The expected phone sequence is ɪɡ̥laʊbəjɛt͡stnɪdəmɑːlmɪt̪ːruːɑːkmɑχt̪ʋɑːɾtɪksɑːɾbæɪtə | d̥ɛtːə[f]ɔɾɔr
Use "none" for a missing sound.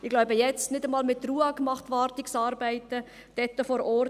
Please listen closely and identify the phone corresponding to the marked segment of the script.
f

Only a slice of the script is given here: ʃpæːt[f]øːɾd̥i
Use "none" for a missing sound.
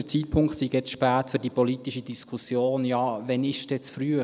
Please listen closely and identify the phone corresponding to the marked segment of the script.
f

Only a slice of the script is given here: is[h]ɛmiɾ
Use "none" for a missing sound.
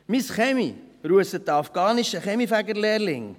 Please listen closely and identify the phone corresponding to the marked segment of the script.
χ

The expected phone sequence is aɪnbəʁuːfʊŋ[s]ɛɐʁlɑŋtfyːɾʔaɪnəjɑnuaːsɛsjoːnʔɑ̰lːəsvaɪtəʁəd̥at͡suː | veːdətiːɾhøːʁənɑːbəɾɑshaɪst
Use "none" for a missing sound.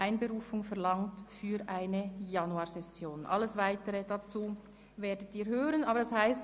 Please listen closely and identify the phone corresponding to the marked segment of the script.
f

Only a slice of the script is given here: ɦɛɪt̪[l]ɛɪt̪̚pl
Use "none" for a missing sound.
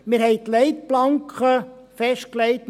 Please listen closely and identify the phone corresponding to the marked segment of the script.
l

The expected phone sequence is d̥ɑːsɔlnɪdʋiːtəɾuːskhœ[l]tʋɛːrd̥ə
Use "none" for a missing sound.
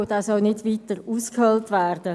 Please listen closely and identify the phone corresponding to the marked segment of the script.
l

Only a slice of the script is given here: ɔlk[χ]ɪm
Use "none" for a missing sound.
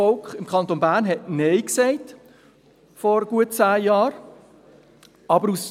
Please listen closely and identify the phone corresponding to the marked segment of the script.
χ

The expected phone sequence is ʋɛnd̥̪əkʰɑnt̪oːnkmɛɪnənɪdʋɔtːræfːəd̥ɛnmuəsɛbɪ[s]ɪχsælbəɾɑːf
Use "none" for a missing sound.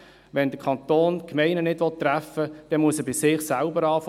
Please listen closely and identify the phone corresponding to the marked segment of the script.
s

